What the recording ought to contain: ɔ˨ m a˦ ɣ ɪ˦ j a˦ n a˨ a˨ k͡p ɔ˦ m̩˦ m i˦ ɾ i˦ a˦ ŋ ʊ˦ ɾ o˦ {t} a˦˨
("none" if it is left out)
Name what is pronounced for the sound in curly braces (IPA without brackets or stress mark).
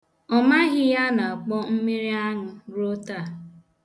t